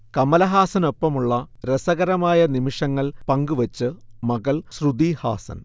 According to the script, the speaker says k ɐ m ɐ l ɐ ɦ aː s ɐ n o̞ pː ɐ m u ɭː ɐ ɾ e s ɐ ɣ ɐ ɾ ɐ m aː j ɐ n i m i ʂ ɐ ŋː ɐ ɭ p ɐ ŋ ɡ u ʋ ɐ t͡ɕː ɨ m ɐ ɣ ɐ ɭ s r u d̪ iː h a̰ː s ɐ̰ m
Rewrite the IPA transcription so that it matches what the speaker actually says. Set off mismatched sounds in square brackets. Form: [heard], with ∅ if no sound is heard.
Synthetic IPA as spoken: k ɐ m ɐ l ɐ ɦ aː s ɐ n o̞ pː ɐ m u ɭː ɐ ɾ e s ɐ ɣ ɐ ɾ ɐ m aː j ɐ n i m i ʂ ɐ ŋː ɐ ɭ p ɐ ŋ ɡ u ʋ ɐ t͡ɕː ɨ m ɐ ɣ ɐ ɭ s r u d̪ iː h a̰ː s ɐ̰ [n]